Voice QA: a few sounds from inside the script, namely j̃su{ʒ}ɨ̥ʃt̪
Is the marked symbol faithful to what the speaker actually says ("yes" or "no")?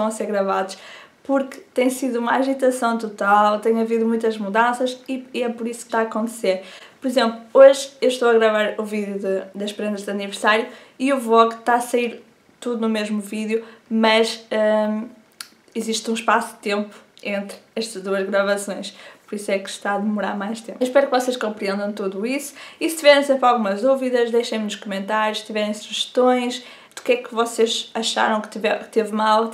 yes